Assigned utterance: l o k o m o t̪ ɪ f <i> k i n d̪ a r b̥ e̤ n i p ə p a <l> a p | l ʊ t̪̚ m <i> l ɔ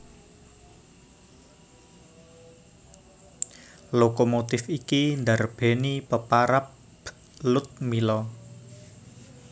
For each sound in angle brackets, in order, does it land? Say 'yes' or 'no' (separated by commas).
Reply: yes, no, yes